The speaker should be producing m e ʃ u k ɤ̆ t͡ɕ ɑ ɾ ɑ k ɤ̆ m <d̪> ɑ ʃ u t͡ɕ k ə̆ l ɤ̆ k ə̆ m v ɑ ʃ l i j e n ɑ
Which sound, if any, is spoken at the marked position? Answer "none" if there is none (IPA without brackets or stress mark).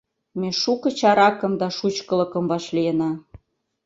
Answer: d̪